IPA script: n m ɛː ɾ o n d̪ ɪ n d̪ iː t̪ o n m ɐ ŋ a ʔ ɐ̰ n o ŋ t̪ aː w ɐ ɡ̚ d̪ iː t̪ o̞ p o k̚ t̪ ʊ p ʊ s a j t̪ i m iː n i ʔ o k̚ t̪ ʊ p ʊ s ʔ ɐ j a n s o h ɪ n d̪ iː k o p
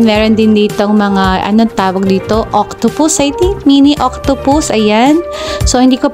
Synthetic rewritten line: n m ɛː ɾ o n d̪ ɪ n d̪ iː t̪ o ŋ m ɐ ŋ a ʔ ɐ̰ n o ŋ t̪ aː w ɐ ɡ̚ d̪ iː t̪ o̞ ʔ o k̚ t̪ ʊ p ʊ s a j t̪ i m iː n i ʔ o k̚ t̪ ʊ p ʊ s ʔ ɐ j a n s o h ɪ n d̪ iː k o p